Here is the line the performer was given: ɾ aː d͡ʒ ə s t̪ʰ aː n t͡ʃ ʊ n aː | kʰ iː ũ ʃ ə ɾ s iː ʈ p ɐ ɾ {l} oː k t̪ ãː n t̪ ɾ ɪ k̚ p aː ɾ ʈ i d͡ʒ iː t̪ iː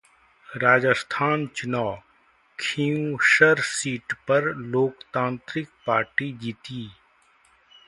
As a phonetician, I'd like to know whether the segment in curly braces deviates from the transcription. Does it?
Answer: no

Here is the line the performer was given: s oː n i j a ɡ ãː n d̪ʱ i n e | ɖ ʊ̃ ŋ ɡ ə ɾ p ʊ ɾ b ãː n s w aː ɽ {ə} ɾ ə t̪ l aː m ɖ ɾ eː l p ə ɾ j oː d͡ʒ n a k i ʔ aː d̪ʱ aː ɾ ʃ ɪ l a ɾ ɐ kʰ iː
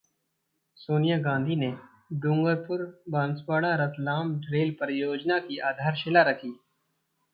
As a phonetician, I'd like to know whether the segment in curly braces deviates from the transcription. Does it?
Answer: yes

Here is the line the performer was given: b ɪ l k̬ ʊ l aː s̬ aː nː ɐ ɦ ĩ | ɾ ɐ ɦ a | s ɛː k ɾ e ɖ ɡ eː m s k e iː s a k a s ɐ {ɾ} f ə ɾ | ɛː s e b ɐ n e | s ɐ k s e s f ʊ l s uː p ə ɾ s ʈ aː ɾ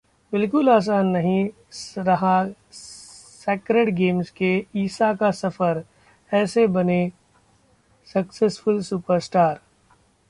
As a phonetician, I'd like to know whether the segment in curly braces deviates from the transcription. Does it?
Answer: yes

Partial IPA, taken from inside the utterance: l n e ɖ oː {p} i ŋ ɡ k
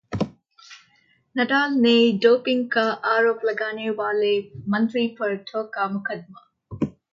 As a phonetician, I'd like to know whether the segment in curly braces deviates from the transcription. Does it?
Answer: no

